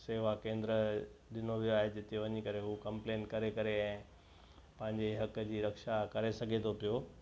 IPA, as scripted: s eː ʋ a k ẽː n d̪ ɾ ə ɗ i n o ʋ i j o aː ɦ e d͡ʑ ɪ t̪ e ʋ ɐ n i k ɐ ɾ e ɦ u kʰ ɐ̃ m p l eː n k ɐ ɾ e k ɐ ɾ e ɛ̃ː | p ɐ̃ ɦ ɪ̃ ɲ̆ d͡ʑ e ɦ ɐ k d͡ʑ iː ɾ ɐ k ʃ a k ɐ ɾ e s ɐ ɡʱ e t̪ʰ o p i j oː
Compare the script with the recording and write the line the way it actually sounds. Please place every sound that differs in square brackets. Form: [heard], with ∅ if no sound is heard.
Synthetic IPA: s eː ʋ a k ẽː n d̪ ɾ ə ɗ [ɪ] n o ʋ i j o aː ɦ e d͡ʑ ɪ t̪ e ʋ ɐ [ɲ] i k ɐ ɾ e ɦ u [k] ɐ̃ m p l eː n k ɐ ɾ e k ɐ ɾ e ɛ̃ː | p ɐ̃ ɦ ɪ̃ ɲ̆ d͡ʑ e ɦ ɐ k d͡ʑ iː ɾ ɐ k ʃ a k ɐ ɾ e s ɐ ɡʱ e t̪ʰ o p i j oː